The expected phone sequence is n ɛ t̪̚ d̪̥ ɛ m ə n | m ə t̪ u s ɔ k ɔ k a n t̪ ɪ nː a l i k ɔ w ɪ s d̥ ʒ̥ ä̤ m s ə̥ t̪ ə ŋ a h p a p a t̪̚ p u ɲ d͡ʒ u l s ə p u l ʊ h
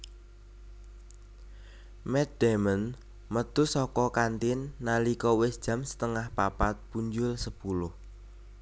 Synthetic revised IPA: m ɛ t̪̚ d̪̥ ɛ m ə n | m ə t̪ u s ɔ k ɔ k a n t̪ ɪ nː a l i k ɔ w ɪ s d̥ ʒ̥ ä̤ m s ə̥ t̪ ə ŋ a h p a p a t̪̚ p u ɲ d͡ʒ ʊ l s ə p u l ʊ h